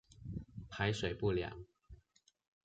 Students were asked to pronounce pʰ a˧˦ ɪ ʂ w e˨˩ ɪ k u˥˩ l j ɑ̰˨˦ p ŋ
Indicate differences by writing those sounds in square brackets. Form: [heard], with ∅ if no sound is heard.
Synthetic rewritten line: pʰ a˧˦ ɪ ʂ w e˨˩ ɪ [p] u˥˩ l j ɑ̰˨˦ [∅] ŋ